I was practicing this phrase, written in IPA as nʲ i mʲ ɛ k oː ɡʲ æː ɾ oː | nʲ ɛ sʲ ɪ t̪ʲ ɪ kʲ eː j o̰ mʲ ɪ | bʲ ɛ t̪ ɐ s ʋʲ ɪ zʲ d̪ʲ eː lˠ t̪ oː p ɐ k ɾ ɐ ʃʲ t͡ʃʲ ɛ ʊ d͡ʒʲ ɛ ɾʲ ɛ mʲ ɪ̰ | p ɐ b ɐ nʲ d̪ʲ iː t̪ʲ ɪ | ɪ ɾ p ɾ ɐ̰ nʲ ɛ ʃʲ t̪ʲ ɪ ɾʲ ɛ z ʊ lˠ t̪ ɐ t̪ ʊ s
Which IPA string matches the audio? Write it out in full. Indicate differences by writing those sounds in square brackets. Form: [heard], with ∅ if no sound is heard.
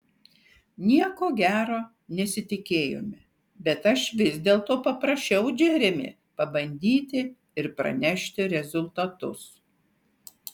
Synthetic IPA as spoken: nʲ i [∅] ɛ k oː ɡʲ æː ɾ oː | nʲ ɛ sʲ ɪ t̪ʲ ɪ kʲ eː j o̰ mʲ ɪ | bʲ ɛ t̪ ɐ [ʃ] ʋʲ ɪ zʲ d̪ʲ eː lˠ t̪ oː p ɐ [p] ɾ ɐ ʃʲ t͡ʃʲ ɛ ʊ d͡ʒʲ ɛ ɾʲ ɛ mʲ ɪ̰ | p ɐ b ɐ nʲ d̪ʲ iː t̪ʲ ɪ | ɪ ɾ p ɾ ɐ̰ nʲ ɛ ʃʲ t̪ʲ ɪ ɾʲ ɛ z ʊ lˠ t̪ ɐ t̪ ʊ s